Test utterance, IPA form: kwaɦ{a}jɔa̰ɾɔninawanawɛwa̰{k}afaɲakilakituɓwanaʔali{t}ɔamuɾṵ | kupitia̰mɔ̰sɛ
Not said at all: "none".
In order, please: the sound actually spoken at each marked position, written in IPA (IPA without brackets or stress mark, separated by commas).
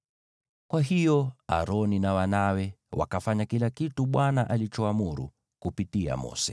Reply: i, k, t͡ʃ